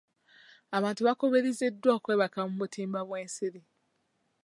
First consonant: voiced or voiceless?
voiced